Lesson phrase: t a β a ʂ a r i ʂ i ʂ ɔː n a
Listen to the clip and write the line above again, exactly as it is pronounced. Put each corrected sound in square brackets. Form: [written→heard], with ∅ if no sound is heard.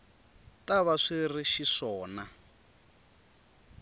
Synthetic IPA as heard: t a β a ʂ [a→i] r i [ʂ→ʃ] i ʂ ɔː n a